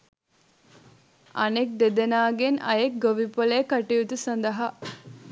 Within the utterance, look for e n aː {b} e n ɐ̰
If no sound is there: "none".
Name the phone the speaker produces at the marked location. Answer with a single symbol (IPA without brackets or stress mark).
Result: ɡ